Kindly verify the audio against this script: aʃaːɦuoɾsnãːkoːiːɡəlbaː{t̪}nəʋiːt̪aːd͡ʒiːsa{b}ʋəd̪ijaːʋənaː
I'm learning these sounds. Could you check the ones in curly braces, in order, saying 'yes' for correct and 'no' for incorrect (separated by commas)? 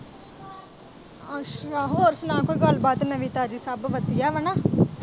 yes, yes